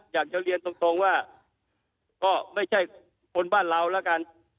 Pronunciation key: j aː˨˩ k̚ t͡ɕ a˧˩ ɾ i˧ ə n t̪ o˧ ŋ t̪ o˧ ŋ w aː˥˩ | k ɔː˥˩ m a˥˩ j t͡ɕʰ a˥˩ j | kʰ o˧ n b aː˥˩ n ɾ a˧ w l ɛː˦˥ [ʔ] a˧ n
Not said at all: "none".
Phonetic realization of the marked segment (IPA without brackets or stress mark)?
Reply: k